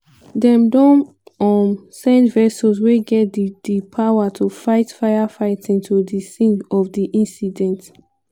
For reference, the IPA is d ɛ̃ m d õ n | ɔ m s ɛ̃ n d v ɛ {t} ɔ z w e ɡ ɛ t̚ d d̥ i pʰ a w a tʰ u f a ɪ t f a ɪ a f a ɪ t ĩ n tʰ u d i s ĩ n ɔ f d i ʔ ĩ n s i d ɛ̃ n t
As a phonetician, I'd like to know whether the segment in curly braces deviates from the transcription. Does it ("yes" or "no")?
yes